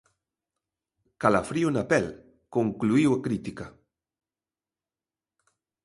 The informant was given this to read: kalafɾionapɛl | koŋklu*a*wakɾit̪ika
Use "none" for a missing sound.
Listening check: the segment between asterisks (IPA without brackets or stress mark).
i